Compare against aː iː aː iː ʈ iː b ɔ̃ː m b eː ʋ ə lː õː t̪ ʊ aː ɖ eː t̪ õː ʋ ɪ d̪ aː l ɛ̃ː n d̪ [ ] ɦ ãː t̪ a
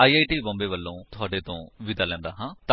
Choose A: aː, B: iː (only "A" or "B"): A